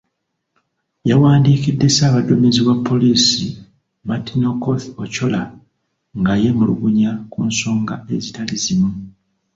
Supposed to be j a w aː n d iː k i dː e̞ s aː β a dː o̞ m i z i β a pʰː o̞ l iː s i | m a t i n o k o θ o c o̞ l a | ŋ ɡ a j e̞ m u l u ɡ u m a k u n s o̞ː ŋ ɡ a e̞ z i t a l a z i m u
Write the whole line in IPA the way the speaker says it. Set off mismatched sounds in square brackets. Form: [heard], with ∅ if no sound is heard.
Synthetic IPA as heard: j a w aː n d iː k i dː e̞ s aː β a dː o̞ m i z i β a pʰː o̞ l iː s i | m a t i n o k o θ o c o̞ l a | ŋ ɡ a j e̞ m u l u ɡ u [ɲ] a k u n s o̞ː ŋ ɡ a e̞ z i t a l [i] z i m u